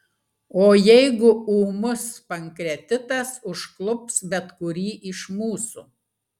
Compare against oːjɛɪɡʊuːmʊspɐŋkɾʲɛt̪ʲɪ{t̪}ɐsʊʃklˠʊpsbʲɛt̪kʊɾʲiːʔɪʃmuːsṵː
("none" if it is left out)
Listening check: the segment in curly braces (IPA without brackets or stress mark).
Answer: t̪